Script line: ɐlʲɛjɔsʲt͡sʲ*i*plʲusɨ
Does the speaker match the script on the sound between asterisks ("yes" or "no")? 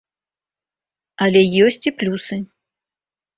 yes